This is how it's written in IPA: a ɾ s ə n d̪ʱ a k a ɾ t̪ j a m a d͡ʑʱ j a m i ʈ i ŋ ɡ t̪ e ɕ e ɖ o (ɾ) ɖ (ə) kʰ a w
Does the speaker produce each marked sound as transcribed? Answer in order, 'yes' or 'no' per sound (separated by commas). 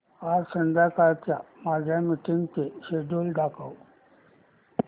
no, no